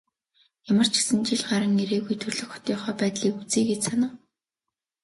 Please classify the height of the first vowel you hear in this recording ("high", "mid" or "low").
low